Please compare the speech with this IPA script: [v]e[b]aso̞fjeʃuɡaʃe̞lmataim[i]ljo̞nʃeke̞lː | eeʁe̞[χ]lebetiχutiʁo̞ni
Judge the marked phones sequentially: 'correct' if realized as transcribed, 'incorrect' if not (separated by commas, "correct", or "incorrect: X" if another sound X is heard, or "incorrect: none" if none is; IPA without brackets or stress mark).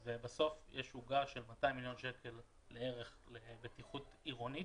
correct, correct, correct, correct